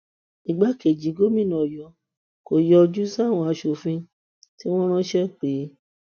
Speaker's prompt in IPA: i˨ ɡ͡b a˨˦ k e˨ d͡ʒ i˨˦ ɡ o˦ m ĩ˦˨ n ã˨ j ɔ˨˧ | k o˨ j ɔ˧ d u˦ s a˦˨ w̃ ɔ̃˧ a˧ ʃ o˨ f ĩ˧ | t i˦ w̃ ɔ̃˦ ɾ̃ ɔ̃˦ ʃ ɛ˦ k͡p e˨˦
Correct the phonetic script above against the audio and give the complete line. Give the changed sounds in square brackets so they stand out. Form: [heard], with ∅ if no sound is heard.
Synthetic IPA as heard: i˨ ɡ͡b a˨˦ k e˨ d͡ʒ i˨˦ ɡ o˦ m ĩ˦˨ n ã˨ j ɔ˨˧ | k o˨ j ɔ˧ [d͡ʒ] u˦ s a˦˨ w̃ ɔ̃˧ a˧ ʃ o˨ f ĩ˧ | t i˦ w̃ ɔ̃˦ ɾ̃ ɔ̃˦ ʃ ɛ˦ k͡p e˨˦